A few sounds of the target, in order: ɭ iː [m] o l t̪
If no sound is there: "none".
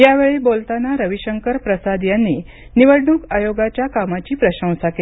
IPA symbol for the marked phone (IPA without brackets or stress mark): b